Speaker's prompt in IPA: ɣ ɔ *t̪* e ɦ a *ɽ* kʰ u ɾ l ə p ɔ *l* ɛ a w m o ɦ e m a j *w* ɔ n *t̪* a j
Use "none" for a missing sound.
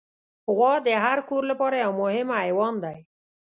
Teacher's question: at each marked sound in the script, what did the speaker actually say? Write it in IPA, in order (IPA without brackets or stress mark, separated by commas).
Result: d̪, ɾ, ɾ, w, d̪